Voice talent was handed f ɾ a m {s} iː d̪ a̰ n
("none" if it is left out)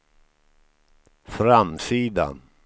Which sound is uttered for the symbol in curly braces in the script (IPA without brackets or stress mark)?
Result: s